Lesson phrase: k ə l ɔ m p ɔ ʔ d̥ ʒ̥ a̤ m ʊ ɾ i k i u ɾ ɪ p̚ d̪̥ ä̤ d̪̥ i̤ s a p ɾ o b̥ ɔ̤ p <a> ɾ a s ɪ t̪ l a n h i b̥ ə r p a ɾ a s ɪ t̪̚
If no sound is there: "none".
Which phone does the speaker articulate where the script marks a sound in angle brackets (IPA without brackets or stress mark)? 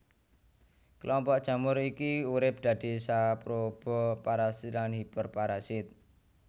a